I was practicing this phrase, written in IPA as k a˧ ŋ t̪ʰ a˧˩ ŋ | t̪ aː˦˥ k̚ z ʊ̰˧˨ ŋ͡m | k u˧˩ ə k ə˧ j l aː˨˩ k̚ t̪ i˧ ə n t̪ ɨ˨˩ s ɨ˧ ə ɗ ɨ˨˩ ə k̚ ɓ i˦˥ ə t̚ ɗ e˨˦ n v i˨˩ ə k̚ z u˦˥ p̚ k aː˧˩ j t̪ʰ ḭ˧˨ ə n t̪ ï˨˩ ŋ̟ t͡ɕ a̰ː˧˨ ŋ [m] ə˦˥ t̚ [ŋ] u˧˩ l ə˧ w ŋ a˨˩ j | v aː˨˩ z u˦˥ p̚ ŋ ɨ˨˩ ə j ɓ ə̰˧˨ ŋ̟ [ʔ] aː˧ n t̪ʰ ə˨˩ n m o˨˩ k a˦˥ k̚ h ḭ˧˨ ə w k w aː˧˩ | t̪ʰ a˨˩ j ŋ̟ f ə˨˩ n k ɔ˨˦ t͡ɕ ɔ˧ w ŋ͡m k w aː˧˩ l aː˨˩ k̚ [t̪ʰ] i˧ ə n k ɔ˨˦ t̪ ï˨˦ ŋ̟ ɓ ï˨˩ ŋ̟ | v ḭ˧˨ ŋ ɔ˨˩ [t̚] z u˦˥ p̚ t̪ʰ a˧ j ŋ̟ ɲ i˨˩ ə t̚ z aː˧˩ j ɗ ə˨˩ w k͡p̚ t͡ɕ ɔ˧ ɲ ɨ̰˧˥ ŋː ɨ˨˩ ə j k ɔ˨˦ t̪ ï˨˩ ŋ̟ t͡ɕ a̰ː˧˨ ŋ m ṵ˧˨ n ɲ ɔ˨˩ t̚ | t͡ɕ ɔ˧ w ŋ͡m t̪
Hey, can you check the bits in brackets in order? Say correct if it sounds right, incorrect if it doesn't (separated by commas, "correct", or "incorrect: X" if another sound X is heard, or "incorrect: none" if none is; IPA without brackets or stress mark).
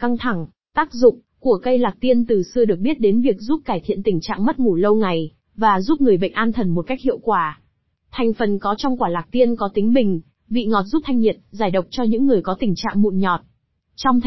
correct, correct, correct, incorrect: t̪, correct